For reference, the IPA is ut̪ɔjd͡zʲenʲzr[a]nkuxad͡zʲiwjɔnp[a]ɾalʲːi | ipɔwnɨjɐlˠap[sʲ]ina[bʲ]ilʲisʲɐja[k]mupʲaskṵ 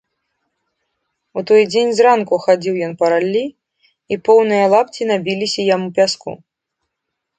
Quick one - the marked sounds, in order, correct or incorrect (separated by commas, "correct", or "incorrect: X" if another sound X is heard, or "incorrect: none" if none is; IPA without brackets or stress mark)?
correct, incorrect: ɐ, incorrect: t͡sʲ, correct, incorrect: none